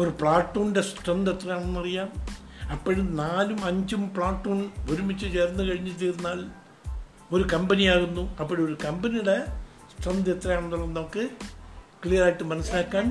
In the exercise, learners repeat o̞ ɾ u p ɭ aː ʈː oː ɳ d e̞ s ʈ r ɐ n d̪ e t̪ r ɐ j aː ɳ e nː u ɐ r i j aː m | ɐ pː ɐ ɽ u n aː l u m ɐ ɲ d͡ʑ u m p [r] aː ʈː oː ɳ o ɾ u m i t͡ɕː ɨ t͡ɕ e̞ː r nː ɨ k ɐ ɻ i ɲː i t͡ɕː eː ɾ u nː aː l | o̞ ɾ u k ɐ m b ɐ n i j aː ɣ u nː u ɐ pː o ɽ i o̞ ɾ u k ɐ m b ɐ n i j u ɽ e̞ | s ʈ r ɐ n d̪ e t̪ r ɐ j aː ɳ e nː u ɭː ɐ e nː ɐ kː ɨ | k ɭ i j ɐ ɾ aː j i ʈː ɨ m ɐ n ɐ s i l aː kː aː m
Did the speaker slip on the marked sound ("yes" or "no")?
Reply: yes